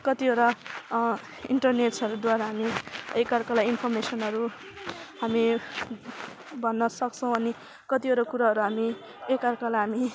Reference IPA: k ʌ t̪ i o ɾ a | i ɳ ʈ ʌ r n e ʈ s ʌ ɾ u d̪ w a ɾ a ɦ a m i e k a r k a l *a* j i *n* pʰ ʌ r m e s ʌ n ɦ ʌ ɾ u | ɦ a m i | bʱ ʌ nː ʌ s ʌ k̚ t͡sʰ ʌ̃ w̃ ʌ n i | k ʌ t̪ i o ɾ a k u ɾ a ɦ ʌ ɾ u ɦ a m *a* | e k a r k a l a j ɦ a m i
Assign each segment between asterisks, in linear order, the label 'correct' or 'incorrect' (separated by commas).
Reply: correct, correct, incorrect